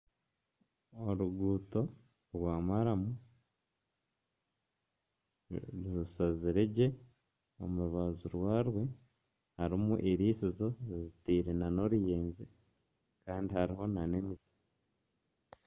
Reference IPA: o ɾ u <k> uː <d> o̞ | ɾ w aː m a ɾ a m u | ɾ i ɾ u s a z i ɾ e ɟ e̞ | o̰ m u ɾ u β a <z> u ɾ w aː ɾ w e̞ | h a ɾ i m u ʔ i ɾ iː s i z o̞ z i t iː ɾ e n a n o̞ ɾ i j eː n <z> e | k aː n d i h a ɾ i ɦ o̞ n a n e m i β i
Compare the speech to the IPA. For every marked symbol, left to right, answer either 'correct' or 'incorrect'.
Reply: incorrect, incorrect, correct, correct

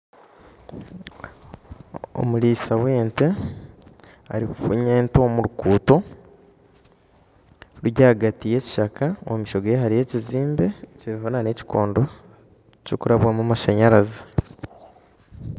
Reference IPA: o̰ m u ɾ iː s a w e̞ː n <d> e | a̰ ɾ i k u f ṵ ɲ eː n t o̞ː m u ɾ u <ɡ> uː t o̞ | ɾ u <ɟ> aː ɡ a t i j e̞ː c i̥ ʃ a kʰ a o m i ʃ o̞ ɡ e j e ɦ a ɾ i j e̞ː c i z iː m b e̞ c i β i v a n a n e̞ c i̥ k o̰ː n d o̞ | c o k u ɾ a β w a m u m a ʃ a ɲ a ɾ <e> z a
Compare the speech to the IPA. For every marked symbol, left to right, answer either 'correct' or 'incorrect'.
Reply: incorrect, incorrect, correct, incorrect

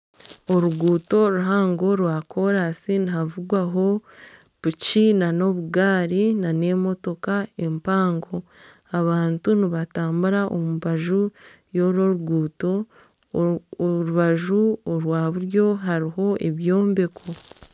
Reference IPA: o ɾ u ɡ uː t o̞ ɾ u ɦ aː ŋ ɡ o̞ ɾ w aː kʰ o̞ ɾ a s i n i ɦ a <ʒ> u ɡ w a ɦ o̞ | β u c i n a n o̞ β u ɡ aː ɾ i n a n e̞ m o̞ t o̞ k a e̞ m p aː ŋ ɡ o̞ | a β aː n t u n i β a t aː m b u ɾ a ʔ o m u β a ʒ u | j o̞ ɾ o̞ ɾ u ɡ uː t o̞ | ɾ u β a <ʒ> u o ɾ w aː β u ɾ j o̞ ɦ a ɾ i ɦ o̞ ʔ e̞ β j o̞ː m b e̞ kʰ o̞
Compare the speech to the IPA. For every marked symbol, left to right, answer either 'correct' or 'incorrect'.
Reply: incorrect, correct

